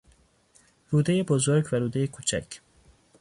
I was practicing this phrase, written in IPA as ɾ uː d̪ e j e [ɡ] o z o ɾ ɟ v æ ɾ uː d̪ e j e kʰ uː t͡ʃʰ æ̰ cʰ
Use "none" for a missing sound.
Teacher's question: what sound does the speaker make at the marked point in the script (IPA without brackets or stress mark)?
b